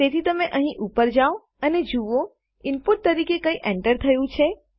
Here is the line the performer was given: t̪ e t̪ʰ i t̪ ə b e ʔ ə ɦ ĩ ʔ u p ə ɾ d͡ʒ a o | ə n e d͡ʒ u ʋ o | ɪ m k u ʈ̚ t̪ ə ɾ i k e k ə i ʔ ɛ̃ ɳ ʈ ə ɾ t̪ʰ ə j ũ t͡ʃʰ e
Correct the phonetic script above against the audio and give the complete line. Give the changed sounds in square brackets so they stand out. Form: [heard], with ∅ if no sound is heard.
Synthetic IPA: t̪ e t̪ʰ i t̪ ə [m] e ʔ ə ɦ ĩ ʔ u p ə ɾ d͡ʒ a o | ə n e d͡ʒ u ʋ o | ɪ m [p] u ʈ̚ t̪ ə ɾ i k e k ə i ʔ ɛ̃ ɳ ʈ ə ɾ t̪ʰ ə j ũ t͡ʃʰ e